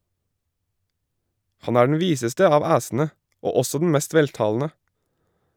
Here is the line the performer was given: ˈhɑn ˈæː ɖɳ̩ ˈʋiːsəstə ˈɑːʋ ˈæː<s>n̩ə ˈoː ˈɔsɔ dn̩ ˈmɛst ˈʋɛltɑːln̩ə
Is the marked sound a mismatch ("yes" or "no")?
no